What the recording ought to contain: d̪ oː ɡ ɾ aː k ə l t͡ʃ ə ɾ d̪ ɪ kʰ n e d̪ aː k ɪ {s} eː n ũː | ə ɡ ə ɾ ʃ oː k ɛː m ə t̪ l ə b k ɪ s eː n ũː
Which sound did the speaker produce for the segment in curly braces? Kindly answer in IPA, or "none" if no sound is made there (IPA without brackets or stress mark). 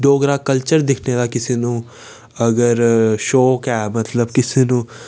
s